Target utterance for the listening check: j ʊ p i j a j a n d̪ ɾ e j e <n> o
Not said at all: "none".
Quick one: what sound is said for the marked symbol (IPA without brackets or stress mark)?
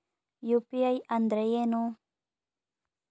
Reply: n